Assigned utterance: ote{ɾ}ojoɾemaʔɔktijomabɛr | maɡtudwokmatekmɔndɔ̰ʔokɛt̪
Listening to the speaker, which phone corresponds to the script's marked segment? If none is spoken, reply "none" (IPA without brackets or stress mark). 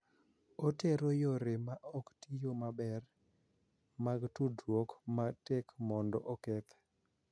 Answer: ɾ